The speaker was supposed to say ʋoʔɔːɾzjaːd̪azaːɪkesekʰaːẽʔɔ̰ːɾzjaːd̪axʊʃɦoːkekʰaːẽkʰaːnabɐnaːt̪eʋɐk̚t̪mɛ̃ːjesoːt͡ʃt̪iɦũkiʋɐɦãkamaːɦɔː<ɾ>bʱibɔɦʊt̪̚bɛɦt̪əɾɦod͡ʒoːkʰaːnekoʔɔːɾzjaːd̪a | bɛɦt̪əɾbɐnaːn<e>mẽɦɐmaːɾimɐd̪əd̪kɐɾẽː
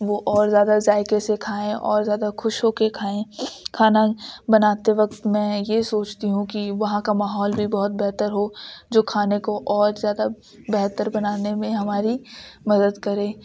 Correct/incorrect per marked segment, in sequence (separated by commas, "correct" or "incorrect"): incorrect, correct